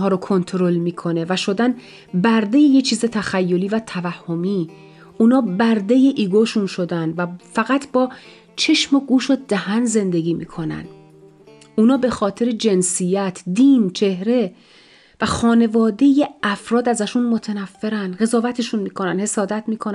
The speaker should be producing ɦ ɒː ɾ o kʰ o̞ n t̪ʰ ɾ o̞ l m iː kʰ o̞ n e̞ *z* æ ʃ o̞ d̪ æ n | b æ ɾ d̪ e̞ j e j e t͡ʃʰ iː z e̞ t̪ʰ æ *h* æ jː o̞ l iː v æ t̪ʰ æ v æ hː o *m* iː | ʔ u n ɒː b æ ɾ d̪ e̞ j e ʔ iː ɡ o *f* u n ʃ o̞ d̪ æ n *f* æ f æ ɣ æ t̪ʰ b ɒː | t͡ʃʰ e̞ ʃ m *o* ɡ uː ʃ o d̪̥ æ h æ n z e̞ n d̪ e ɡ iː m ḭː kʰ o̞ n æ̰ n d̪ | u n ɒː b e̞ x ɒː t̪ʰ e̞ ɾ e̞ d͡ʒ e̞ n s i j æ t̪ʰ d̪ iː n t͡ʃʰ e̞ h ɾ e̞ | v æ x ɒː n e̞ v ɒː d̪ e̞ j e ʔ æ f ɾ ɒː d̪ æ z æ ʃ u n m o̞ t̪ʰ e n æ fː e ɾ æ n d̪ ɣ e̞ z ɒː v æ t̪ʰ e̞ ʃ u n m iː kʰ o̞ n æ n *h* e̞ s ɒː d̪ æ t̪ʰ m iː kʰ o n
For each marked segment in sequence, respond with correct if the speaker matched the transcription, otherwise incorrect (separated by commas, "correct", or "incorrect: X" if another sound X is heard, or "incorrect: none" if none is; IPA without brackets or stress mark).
incorrect: v, incorrect: x, correct, incorrect: ʃ, incorrect: v, correct, correct